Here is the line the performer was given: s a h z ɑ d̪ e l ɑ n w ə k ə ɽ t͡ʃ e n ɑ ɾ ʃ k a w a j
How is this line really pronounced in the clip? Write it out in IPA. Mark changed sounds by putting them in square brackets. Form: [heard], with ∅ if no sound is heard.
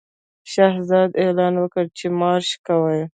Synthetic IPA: [ʃ] a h z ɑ d̪ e l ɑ n w ə k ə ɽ t͡ʃ e [m] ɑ ɾ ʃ k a w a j